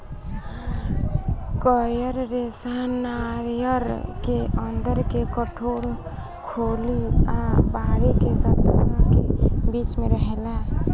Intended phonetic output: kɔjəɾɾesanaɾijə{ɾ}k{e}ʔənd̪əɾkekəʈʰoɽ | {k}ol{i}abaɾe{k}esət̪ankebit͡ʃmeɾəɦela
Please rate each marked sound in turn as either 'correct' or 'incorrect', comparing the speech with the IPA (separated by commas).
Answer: correct, correct, incorrect, correct, correct